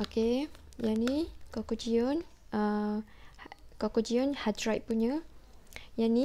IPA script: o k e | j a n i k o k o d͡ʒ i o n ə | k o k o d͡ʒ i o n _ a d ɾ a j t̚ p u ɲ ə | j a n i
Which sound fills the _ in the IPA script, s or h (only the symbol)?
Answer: h